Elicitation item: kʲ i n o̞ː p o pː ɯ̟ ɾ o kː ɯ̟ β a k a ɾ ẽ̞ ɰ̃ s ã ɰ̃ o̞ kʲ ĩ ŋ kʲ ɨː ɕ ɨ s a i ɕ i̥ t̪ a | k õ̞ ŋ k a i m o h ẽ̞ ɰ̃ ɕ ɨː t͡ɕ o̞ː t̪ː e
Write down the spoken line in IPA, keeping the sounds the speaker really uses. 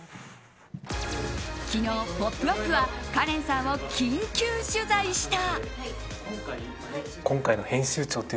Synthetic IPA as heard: kʲ i n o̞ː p o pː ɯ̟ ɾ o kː ɯ̟ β a k a ɾ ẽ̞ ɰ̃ s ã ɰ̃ o̞ kʲ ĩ ŋ kʲ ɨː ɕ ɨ z a i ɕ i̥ t̪ a | k õ̞ ŋ k a i n o h ẽ̞ ɰ̃ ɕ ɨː t͡ɕ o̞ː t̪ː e